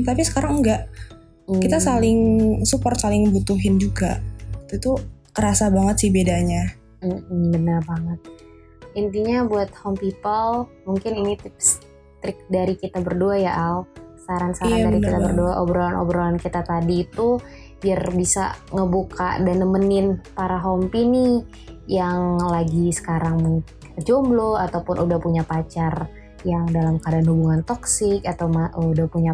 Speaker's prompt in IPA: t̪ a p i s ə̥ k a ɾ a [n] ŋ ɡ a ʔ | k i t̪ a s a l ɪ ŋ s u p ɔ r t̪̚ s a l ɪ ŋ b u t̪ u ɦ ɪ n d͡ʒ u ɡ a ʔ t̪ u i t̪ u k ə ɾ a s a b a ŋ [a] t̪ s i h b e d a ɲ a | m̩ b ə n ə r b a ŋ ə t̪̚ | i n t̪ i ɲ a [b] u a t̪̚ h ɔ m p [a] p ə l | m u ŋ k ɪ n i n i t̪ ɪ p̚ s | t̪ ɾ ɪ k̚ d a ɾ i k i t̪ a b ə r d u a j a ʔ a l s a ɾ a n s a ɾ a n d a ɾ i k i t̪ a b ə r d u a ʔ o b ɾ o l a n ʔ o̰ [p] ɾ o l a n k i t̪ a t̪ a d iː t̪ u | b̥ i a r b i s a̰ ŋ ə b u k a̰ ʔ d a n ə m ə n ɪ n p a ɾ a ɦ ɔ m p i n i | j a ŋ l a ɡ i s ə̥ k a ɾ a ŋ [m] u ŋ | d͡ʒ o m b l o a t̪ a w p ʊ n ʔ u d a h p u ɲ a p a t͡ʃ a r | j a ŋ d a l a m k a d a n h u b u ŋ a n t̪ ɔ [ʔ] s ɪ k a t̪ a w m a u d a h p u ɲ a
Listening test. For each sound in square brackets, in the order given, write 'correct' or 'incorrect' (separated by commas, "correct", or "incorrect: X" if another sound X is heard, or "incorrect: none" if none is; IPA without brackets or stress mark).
incorrect: ŋ, incorrect: ə, correct, incorrect: i, incorrect: b, correct, incorrect: k